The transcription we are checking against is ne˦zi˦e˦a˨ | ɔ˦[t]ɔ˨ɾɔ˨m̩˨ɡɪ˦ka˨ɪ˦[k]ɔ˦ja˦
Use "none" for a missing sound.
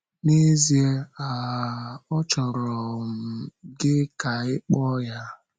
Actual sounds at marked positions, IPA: t͡ʃ, k͡p

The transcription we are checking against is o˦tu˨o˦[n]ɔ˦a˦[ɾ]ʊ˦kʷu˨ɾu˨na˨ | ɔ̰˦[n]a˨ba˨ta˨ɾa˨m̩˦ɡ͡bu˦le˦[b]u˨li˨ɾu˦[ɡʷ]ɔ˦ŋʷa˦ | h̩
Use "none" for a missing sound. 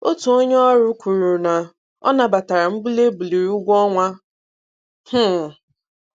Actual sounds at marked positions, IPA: ɲ, ɾ, n, b, ɡʷ

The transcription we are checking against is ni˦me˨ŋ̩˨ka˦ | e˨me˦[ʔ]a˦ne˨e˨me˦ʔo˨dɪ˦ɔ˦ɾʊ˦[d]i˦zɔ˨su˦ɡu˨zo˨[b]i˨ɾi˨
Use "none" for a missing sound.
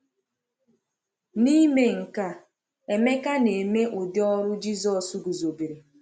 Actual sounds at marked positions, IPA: k, d͡ʒ, b

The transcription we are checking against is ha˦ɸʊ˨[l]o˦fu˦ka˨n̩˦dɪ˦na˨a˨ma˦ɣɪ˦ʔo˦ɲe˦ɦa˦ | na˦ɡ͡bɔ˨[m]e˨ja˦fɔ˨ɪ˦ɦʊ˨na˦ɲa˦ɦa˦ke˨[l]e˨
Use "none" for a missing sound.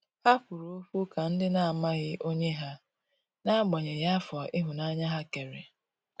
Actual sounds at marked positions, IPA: ɾ, ɲ, ɾ

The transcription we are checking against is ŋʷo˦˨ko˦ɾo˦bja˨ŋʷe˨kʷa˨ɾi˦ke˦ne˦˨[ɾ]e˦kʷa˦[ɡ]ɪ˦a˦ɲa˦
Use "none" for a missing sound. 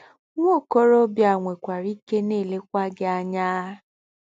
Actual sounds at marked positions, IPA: l, ɡ

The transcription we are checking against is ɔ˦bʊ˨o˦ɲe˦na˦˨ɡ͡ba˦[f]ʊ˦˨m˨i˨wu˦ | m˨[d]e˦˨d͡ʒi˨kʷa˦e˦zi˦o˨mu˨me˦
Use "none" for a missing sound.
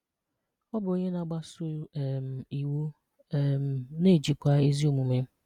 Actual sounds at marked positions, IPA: s, n

